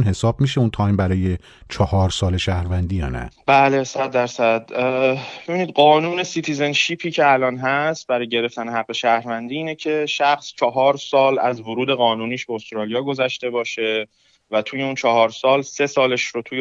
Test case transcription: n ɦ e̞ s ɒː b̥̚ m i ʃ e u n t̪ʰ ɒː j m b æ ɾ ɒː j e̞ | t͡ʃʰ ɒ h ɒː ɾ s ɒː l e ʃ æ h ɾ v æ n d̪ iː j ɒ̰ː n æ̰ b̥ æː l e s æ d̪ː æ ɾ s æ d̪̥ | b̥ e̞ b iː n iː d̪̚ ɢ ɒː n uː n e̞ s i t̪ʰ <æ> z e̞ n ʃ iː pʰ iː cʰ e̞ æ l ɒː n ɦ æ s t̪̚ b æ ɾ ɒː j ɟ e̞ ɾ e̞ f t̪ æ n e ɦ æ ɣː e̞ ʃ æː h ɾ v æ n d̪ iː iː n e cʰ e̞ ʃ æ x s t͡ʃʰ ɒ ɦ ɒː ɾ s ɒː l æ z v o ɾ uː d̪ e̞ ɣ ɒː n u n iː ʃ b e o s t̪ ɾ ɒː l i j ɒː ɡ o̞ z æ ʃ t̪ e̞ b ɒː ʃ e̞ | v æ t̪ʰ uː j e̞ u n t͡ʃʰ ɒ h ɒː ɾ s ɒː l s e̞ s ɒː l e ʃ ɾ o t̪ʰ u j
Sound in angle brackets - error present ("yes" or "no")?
yes